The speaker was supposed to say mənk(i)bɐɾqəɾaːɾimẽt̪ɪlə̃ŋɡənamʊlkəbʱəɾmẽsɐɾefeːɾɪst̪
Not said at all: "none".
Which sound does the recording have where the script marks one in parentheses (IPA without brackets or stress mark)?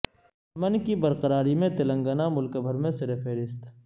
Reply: i